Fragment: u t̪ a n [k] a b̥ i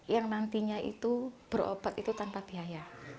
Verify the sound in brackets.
incorrect: p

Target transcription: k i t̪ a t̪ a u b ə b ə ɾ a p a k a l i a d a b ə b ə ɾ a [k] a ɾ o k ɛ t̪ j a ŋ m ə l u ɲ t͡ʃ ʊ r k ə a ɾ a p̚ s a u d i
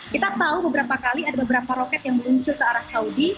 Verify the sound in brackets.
incorrect: p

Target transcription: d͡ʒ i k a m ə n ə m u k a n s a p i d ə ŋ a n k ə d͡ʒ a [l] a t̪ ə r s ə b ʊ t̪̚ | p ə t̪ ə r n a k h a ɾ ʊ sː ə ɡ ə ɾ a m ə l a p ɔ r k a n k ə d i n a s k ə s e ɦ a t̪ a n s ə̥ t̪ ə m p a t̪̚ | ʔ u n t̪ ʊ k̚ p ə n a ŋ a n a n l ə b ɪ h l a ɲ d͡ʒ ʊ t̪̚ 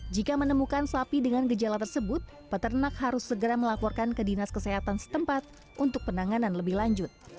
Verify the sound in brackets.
correct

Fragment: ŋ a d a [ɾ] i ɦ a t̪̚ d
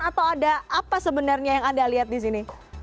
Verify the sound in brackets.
incorrect: l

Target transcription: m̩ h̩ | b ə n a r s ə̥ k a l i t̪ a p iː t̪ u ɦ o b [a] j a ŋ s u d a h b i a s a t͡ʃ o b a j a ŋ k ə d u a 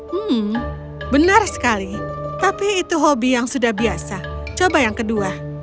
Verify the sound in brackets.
incorrect: i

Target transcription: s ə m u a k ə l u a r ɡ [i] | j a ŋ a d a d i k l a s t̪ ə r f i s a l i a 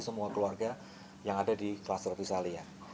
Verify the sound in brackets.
incorrect: a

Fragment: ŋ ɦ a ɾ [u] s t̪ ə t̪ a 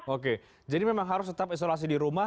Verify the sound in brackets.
incorrect: ʊ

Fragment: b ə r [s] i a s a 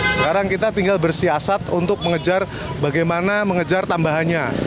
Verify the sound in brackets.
correct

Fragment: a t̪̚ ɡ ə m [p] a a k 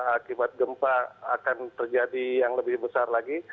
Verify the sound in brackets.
correct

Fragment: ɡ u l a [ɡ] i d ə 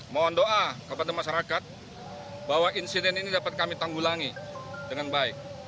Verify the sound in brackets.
incorrect: ŋ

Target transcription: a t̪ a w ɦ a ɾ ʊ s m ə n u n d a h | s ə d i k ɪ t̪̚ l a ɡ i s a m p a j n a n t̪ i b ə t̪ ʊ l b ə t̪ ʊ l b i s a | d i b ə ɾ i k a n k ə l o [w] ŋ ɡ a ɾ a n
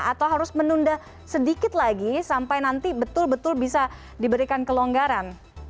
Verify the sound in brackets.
incorrect: none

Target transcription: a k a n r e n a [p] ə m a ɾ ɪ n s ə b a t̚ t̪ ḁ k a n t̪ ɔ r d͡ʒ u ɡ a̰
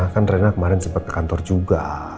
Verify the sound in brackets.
incorrect: k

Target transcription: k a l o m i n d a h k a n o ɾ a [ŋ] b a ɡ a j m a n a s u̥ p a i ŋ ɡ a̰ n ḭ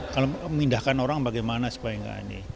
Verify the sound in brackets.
correct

